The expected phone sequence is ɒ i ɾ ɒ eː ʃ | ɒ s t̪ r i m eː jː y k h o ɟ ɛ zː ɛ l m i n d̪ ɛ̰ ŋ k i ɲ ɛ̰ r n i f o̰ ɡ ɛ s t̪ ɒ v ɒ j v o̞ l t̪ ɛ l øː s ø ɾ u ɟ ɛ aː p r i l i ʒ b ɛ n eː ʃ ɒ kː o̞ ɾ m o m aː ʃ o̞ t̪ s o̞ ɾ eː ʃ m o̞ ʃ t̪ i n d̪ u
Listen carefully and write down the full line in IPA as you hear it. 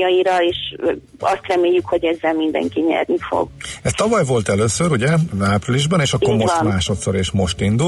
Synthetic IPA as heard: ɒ i ɾ ɒ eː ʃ | ɒ s t̪ r ɛ m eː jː y k h o ɟ ɛ zː ɛ l m i n d̪ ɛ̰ ŋ k i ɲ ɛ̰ r n i f o̰ ɡ ɛ s t̪ ɒ v ɒ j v o̞ l t̪ ɛ l øː s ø ɾ u ɟ ɛ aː p r i l i ʒ b ɛ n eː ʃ ɒ kː o̞ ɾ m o m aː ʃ o̞ t̪ s o̞ ɾ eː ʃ m o̞ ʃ t̪ i n d̪ u